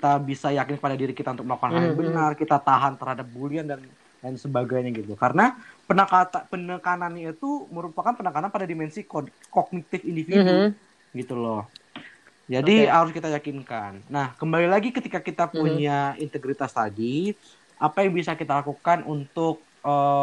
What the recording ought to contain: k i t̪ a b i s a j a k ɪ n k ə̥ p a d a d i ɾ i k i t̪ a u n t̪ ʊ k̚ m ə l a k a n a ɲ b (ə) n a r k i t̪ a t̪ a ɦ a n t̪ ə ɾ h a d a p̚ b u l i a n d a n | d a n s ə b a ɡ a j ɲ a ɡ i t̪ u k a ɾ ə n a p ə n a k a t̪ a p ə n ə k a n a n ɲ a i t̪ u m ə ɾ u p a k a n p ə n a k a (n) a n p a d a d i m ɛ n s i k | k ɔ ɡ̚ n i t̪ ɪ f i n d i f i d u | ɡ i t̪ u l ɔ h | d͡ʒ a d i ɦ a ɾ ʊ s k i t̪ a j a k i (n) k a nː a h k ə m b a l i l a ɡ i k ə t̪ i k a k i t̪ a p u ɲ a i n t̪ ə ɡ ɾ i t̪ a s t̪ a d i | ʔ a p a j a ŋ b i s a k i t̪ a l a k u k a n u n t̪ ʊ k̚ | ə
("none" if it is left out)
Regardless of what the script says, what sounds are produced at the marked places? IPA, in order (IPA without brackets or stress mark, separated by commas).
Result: ə, n, n